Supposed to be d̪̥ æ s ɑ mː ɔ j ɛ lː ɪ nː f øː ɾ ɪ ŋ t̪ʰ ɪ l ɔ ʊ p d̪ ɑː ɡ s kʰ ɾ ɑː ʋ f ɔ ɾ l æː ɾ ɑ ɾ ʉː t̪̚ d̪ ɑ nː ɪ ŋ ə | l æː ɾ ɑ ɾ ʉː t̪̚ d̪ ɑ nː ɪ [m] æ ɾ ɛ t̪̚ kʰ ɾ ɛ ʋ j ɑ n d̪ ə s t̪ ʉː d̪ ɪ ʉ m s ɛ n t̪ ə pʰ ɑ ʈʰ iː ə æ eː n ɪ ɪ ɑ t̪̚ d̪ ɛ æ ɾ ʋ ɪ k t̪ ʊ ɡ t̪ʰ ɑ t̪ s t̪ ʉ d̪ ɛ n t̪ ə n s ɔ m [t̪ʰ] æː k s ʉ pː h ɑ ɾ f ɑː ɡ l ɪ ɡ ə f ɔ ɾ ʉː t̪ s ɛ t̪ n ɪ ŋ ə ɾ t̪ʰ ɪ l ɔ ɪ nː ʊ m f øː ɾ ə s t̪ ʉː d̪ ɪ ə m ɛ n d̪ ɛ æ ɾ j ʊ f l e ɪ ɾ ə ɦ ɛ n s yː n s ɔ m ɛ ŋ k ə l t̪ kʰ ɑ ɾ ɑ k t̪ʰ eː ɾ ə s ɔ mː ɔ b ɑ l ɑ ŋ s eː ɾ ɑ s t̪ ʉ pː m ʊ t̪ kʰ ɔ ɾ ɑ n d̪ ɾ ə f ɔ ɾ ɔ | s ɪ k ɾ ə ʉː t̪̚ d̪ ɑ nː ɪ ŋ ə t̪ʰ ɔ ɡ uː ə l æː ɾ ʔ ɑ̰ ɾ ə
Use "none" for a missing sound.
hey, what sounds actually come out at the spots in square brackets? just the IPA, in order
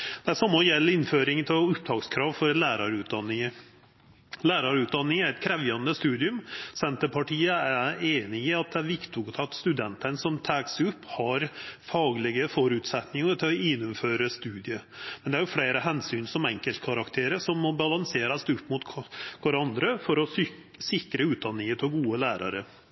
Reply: ŋ, t̪ʰ

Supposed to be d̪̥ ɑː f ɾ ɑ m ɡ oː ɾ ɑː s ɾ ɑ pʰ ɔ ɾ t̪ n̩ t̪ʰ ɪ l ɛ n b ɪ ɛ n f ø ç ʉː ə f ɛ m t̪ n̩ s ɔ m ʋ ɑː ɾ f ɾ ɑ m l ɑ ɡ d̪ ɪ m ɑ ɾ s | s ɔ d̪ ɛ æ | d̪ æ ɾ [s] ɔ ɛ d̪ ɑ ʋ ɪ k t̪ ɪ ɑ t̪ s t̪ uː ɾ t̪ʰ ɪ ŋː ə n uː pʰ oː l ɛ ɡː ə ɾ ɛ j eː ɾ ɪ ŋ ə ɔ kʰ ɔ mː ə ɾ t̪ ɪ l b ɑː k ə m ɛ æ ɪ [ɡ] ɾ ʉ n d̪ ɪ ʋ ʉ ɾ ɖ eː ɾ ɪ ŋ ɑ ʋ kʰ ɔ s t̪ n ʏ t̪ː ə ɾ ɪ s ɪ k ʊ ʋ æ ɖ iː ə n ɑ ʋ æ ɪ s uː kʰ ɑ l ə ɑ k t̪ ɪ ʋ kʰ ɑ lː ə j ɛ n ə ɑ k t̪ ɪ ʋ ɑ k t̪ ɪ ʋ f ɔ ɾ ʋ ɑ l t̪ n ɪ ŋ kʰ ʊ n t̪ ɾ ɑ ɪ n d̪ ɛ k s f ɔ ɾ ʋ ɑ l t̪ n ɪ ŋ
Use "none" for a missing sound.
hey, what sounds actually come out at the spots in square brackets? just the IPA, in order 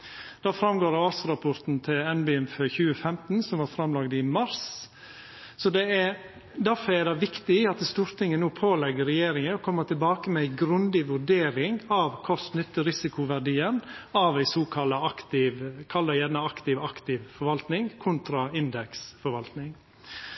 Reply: f, ɡ

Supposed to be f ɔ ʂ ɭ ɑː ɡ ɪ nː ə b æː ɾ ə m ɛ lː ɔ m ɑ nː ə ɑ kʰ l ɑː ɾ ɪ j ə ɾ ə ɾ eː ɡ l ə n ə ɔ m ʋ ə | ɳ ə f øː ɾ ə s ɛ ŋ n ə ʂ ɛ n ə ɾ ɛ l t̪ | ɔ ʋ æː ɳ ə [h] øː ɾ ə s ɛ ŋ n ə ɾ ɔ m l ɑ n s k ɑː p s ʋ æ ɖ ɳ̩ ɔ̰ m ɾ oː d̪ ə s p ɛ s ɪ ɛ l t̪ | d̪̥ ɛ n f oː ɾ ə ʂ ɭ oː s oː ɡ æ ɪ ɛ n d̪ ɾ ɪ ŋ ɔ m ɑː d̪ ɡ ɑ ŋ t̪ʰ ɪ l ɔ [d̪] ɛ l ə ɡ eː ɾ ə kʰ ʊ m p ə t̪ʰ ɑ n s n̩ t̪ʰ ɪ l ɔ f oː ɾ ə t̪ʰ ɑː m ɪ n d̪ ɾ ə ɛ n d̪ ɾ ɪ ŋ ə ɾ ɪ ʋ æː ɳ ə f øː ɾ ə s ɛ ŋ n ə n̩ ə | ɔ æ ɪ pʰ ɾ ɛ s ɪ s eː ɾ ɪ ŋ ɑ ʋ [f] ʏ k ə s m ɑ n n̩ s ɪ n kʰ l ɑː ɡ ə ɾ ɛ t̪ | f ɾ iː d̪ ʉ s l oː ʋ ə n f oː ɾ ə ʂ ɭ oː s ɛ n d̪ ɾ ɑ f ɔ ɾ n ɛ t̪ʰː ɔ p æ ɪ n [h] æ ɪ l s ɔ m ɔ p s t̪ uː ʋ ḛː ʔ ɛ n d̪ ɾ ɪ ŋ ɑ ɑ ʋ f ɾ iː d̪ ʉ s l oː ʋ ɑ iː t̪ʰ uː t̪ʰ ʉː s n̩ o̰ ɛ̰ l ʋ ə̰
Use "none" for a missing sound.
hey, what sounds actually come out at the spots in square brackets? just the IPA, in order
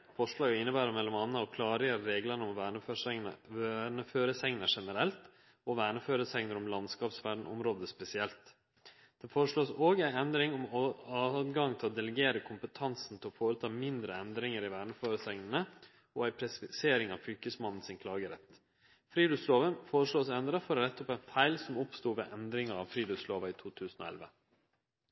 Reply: f, d̪, f, f

